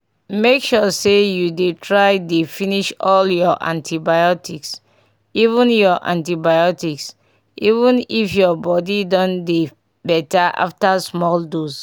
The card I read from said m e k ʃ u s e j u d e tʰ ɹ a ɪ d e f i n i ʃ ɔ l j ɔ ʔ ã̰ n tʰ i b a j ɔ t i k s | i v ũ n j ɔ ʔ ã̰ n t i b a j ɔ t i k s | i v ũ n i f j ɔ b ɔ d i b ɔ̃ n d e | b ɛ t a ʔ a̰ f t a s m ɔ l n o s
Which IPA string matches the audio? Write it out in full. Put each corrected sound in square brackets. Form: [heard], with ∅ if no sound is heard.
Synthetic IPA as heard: m e k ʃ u s e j u d e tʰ ɹ a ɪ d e f i n i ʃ ɔ l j ɔ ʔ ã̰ n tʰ i b a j ɔ t i k s | i v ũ n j ɔ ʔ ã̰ n t i b a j ɔ t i k s | i v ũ n i f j ɔ b ɔ d i [d] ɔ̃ n d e | b ɛ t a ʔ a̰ f t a s m ɔ l [d] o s